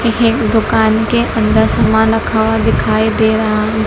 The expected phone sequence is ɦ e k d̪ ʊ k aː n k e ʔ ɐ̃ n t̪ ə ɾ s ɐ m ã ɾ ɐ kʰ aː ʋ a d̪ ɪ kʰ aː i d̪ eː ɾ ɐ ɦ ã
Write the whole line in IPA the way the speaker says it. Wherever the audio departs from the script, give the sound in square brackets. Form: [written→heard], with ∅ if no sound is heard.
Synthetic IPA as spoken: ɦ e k d̪ ʊ k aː n k e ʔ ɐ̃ n [t̪→d̪] ə ɾ s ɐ m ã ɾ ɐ kʰ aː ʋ a d̪ ɪ kʰ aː i d̪ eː ɾ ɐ ɦ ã